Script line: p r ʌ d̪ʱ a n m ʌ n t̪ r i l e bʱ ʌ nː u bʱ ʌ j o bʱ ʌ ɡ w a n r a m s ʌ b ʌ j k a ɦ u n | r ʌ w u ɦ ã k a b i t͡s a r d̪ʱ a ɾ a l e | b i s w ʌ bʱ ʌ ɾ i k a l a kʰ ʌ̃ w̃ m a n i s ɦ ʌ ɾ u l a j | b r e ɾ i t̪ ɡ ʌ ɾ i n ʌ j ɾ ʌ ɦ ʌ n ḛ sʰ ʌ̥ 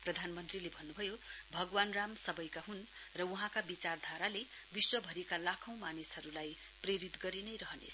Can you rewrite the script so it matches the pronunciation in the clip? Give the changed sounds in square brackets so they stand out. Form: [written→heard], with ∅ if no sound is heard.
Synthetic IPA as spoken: p r ʌ d̪ʱ a n m ʌ n t̪ r i l e bʱ ʌ nː u bʱ ʌ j o bʱ ʌ ɡ w a n r a m s ʌ b ʌ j k a ɦ u n | r ʌ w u ɦ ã k a b i t͡s a r d̪ʱ a ɾ a l e | b i s w ʌ bʱ ʌ ɾ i k a l a kʰ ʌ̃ w̃ m a n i s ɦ ʌ ɾ u l a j | [b→p] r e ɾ i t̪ ɡ ʌ ɾ i n ʌ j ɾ ʌ ɦ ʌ n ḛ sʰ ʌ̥